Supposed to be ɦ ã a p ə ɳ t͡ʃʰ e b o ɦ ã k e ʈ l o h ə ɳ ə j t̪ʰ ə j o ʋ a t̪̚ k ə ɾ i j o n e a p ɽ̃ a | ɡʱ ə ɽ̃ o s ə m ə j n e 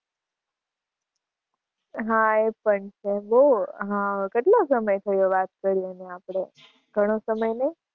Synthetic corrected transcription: ɦ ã e p ə ɳ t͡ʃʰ e b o ɦ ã k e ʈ l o s ə m ə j t̪ʰ ə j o ʋ a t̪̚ k ə ɾ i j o n e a p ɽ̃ e | ɡʱ ə ɽ̃ o s ə m ə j n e